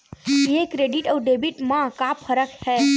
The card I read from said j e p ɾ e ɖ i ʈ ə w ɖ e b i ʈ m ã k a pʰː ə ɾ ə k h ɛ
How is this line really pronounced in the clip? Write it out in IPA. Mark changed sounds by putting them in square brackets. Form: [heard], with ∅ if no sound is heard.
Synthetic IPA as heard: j e [k] ɾ e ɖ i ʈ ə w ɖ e b i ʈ m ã k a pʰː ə ɾ ə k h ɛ